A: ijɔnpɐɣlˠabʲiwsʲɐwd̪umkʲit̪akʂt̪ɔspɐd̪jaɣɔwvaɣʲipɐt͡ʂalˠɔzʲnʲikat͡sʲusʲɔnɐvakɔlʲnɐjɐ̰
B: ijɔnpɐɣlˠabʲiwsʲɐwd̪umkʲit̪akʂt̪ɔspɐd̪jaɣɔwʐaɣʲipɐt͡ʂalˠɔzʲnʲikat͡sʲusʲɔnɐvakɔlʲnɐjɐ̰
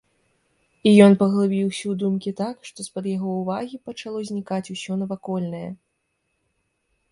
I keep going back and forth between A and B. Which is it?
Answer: A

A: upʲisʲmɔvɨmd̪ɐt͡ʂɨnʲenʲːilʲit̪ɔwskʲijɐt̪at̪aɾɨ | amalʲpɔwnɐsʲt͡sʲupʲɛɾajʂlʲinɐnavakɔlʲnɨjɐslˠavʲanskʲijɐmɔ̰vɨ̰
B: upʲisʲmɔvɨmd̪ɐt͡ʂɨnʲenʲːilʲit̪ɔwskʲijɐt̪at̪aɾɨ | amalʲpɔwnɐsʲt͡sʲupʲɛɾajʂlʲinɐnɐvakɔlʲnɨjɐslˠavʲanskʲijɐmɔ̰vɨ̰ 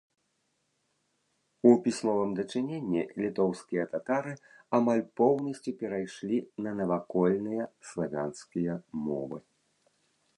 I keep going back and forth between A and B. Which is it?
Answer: B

